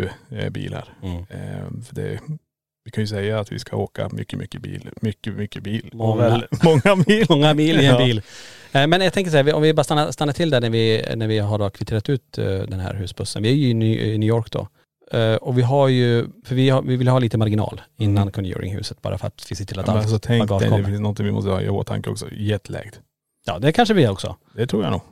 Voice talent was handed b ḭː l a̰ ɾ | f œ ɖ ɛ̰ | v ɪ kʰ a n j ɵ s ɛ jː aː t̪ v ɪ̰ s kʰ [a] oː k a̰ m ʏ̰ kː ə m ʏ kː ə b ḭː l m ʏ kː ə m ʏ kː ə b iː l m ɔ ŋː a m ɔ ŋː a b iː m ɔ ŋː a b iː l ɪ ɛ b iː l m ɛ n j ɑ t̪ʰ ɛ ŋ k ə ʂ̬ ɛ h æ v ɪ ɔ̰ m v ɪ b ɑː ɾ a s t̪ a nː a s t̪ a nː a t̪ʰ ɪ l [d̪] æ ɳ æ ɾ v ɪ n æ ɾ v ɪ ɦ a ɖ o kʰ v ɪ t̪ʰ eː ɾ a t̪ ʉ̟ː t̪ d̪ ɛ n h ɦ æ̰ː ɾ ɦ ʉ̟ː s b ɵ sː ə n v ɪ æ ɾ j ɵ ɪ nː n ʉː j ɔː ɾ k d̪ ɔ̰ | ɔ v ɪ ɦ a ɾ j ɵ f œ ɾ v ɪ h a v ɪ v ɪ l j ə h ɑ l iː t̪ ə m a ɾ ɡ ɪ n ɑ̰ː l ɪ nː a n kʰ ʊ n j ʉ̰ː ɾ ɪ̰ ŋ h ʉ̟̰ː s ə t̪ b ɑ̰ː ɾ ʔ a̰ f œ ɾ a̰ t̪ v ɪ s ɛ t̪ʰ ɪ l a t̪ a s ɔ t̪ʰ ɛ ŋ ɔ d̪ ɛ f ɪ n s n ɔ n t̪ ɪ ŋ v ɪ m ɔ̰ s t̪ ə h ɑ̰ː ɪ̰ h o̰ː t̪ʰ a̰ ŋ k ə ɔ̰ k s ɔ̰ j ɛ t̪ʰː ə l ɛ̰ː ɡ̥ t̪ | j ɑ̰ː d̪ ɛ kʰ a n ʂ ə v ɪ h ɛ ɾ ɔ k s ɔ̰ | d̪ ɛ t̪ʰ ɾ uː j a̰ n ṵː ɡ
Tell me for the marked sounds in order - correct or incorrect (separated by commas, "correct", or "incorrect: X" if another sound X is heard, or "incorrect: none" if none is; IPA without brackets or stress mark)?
correct, correct